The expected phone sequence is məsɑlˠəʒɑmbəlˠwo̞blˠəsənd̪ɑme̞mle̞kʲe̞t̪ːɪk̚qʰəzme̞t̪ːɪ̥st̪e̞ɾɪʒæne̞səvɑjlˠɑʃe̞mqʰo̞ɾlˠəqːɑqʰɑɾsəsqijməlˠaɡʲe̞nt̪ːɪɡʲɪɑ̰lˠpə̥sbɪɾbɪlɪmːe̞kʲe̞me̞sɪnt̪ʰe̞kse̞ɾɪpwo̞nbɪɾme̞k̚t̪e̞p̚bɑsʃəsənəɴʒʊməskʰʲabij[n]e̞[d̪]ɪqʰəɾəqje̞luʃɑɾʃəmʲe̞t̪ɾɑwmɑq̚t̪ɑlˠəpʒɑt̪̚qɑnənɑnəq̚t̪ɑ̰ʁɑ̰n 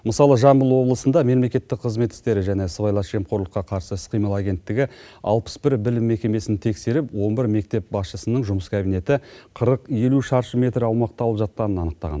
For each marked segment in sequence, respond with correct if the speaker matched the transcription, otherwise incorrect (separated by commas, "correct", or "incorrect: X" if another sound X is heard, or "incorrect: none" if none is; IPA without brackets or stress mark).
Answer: correct, incorrect: t̪